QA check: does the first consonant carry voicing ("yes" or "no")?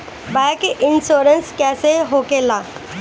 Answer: yes